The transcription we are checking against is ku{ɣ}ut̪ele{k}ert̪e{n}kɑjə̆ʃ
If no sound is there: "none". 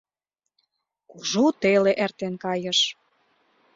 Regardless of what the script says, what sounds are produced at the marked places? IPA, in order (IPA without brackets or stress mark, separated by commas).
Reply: ʒ, ʔ, n